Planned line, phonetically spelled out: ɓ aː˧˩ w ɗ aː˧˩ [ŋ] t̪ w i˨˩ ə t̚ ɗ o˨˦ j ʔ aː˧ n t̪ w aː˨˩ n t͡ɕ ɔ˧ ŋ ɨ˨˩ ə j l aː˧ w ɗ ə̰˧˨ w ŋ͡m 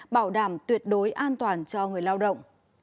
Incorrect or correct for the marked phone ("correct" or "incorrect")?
incorrect